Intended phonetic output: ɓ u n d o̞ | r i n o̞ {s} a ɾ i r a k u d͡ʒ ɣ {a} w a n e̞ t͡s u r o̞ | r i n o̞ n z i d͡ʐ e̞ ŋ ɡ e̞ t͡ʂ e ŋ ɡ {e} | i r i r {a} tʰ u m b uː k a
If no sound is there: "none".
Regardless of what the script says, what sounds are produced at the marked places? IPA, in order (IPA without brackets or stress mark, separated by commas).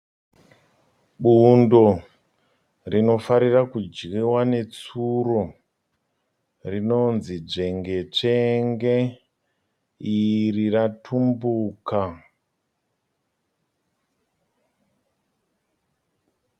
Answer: f, i, e, a